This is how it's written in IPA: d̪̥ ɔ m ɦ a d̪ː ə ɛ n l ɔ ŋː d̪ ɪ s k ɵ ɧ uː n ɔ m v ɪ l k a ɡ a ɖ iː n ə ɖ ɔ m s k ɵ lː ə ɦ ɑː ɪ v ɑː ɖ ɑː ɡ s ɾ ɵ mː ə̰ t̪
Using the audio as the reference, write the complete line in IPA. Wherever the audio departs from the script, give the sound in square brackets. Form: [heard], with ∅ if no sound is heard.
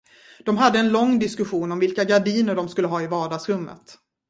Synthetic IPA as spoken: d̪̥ ɔ m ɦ a d̪ː ə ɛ n l ɔ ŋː d̪ ɪ s k ɵ ɧ uː n ɔ m v ɪ l k a ɡ a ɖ iː n ə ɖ ɔ m s k ɵ lː ə ɦ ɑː ɪ v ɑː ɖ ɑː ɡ s ɾ ɵ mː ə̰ t̪